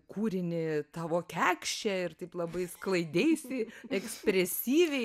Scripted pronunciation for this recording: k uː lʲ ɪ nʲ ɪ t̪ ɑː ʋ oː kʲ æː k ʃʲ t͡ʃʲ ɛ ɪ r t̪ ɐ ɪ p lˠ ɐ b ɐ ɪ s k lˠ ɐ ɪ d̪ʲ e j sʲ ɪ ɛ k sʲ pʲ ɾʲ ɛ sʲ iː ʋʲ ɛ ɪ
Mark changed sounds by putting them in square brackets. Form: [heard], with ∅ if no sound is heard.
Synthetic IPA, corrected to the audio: k uː [ɾʲ] ɪ nʲ ɪ t̪ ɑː ʋ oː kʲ æː k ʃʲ t͡ʃʲ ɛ ɪ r t̪ ɐ ɪ p lˠ ɐ b ɐ ɪ s k lˠ ɐ ɪ d̪ʲ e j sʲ ɪ ɛ k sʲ pʲ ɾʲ ɛ sʲ iː ʋʲ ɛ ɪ